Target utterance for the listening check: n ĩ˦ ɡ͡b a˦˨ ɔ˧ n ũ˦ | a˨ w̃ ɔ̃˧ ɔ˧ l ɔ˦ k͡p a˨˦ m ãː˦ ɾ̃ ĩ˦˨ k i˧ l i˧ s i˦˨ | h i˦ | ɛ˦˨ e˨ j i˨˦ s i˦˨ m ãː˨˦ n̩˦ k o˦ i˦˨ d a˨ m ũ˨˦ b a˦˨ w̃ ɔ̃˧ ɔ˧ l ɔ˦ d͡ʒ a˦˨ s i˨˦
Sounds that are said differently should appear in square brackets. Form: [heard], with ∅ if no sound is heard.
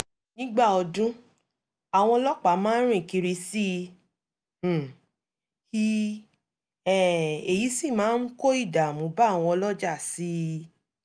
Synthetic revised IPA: n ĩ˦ ɡ͡b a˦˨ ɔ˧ [d] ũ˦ | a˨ w̃ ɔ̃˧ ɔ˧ l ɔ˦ k͡p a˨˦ m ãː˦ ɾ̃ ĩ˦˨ k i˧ [ɾ] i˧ s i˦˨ | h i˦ | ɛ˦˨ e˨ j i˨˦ s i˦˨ m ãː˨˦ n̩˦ k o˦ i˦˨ d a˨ m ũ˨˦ b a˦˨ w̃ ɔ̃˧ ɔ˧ l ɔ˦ d͡ʒ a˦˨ s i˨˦

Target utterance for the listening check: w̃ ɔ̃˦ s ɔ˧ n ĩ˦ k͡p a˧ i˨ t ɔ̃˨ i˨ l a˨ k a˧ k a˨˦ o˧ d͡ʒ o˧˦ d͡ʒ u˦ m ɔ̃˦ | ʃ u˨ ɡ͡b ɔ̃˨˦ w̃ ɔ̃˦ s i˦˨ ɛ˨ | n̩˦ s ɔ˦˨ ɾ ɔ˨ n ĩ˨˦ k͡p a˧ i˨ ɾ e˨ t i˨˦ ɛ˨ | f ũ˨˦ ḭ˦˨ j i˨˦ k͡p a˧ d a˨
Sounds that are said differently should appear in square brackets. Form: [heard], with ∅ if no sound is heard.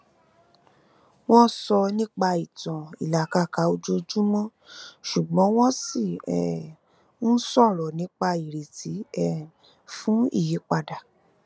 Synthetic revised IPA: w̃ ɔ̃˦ s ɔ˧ n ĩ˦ k͡p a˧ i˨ t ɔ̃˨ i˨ l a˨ k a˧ k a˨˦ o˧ d͡ʒ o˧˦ d͡ʒ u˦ m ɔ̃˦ | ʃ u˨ ɡ͡b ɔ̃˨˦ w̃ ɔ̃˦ s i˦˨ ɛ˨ | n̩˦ s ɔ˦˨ ɾ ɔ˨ n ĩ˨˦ k͡p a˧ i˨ ɾ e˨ t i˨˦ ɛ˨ | f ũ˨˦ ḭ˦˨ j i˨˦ k͡p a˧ d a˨

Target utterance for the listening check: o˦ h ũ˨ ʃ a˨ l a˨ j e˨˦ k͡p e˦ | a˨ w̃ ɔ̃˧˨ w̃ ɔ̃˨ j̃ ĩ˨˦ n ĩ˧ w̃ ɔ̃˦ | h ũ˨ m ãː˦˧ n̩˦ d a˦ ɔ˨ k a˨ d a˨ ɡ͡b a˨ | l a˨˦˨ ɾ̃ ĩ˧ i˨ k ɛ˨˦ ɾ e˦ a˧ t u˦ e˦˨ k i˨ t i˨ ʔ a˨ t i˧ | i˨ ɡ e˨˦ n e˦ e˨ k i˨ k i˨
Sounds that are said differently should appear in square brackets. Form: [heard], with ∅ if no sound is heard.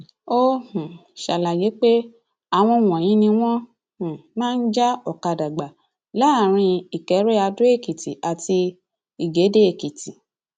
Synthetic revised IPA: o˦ h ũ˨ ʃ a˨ l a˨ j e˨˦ k͡p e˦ | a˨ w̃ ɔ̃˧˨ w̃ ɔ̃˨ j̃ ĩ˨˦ n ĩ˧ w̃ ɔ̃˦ | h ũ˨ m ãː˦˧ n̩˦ [d͡ʒ] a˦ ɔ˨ k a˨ d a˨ ɡ͡b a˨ | l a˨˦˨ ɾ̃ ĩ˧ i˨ k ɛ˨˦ ɾ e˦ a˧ [d] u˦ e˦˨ k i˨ t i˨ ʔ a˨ t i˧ | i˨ ɡ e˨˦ [d] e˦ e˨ k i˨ [t] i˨

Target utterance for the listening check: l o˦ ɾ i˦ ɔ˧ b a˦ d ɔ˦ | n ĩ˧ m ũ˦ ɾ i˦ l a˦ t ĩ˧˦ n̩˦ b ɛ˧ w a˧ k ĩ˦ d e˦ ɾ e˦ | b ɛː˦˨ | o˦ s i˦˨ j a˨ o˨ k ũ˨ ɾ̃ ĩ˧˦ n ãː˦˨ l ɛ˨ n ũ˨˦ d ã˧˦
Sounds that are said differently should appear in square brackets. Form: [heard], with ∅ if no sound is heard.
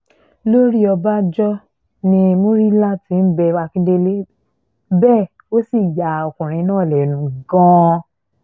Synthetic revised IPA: l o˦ ɾ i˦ ɔ˧ b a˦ [d͡ʒ] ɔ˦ | n ĩ˧ m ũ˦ ɾ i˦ l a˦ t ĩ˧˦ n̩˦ b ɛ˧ w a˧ k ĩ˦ d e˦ [l] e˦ | b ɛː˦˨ | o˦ s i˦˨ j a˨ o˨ k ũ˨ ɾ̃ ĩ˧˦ n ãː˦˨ l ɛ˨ n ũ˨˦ [ɡ] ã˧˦

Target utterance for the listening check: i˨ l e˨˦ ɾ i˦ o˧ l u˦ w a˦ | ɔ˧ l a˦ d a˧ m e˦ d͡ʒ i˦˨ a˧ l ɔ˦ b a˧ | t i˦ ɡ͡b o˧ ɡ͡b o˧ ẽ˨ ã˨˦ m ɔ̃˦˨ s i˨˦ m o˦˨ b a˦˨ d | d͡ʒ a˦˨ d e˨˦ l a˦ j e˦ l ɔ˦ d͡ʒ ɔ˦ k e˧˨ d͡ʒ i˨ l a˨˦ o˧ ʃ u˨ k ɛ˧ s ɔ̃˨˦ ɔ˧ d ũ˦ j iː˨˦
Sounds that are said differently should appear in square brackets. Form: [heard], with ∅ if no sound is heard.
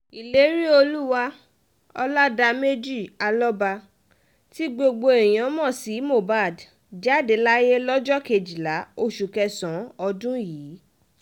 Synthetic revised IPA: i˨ l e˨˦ ɾ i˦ o˧ l u˦ w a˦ | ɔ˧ l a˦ d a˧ m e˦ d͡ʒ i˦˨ a˧ l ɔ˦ b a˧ | t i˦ ɡ͡b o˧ ɡ͡b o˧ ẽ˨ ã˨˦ m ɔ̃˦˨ s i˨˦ m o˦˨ b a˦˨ d | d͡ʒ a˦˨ d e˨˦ l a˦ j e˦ l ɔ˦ d͡ʒ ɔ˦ k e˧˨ d͡ʒ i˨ l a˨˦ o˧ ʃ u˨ k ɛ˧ s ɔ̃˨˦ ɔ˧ d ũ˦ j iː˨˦

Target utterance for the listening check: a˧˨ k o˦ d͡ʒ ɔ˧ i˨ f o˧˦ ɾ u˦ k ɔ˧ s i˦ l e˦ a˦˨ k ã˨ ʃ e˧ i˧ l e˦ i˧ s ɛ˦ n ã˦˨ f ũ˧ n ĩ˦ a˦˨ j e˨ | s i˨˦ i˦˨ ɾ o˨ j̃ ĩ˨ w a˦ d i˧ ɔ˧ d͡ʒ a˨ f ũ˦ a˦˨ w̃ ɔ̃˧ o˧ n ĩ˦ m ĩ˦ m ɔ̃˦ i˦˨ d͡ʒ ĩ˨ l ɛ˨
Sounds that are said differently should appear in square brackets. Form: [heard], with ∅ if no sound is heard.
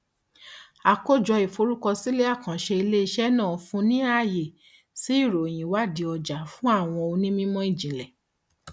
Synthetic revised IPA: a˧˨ k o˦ d͡ʒ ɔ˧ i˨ f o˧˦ ɾ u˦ k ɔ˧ s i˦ l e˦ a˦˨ k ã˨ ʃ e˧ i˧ l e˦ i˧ [ʃ] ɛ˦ n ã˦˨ f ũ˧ n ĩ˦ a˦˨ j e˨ | s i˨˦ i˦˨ ɾ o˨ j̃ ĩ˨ w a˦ d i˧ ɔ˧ d͡ʒ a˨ f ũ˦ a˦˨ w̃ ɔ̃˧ o˧ n ĩ˦ m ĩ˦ m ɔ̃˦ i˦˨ d͡ʒ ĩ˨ l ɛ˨

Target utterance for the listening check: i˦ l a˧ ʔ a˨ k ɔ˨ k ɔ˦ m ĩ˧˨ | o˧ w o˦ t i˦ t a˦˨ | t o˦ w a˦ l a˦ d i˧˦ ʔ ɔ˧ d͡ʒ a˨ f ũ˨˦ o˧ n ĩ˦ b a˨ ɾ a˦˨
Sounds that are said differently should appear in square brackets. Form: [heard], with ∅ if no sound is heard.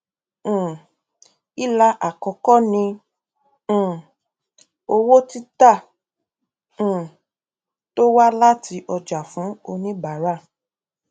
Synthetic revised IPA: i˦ l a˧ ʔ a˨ k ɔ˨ k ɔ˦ [n] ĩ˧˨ | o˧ w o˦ t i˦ t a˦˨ | t o˦ w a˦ l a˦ [t] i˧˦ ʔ ɔ˧ d͡ʒ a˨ f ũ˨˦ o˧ n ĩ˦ b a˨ ɾ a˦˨

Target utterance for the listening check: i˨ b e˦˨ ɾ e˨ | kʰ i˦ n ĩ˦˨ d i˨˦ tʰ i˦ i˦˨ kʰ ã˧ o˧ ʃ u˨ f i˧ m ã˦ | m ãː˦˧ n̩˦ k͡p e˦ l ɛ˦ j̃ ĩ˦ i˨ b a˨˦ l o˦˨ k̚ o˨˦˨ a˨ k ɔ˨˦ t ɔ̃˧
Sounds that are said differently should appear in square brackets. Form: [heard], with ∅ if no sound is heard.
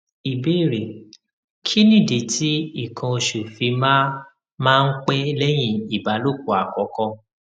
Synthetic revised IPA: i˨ b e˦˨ ɾ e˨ | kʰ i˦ n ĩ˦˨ d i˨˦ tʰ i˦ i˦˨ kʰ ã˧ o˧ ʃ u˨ f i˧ m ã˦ | m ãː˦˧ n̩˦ k͡p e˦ l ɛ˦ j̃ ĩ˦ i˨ b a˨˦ l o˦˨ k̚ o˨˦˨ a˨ k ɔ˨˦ [k] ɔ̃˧

